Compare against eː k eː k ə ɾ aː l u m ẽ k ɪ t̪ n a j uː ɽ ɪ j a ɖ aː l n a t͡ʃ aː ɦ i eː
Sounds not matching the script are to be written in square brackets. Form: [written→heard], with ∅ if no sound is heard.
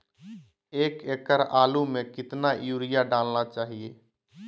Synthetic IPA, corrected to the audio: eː k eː k ə ɾ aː l u m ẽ k ɪ t̪ n a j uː [ɽ→ɾ] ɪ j a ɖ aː l n a t͡ʃ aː ɦ i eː